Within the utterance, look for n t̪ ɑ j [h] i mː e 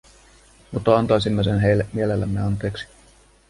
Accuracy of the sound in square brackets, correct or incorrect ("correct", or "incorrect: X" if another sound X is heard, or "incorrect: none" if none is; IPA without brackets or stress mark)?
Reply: incorrect: s